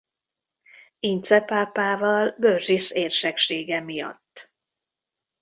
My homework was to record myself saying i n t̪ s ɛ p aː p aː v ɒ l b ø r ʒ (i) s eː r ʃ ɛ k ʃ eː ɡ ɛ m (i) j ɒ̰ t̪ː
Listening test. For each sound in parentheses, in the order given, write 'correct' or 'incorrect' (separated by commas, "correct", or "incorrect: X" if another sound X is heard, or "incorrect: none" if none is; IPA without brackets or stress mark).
correct, correct